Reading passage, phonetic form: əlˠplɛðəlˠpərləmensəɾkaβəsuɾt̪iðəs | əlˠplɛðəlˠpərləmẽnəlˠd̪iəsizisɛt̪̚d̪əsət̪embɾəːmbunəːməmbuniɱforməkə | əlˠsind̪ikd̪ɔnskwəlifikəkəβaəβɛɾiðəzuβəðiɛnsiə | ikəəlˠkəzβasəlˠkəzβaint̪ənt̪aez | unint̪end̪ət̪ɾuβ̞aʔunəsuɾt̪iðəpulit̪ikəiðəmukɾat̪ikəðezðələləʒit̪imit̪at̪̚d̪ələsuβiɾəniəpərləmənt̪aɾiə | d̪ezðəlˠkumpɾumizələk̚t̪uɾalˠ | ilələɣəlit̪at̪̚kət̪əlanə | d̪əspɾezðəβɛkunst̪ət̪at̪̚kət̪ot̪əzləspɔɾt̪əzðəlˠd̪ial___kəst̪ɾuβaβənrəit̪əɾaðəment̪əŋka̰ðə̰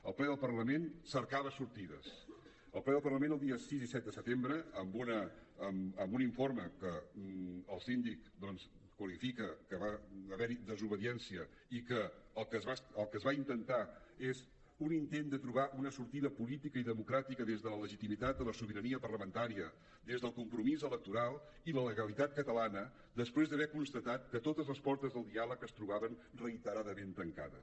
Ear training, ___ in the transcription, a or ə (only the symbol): ə